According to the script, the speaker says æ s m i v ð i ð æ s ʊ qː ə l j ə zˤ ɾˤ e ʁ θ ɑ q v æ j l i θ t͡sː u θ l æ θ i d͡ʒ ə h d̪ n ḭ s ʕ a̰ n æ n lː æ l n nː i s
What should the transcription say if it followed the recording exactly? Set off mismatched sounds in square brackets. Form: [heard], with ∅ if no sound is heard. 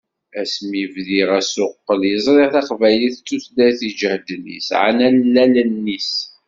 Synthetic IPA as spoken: æ s m i v ð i [ʁ] æ s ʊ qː ə l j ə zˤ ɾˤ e ʁ θ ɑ q v æ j l i θ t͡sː u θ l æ θ i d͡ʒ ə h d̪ n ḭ s ʕ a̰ n æ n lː æ l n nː i s